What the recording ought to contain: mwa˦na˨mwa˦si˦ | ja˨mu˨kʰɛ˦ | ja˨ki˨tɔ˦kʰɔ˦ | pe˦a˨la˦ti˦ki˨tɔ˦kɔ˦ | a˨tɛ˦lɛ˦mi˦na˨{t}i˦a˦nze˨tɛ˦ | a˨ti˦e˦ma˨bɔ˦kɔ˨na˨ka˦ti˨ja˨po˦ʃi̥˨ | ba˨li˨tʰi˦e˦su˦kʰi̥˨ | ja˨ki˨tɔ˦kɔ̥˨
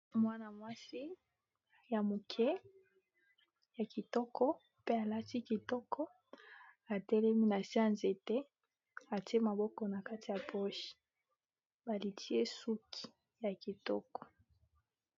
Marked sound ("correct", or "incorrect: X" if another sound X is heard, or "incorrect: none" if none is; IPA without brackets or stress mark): incorrect: s